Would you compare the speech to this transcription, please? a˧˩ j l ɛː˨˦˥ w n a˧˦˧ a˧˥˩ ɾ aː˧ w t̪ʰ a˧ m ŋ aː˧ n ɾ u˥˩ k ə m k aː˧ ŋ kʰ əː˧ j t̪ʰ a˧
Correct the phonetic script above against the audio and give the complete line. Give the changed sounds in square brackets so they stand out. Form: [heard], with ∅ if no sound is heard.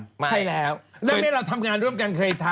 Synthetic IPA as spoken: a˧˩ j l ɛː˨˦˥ w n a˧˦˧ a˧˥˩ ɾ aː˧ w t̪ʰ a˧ m ŋ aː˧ n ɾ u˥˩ [∅] ə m k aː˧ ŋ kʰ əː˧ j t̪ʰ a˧